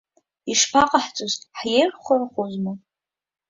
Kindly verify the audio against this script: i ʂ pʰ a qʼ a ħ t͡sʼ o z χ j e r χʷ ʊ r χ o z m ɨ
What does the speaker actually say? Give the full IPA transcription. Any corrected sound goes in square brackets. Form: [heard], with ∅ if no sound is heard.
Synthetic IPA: i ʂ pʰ a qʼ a ħ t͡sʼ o z [ħ] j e r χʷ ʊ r χ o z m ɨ